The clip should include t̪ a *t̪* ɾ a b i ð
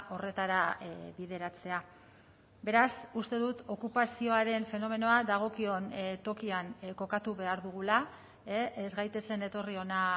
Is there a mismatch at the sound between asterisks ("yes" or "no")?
yes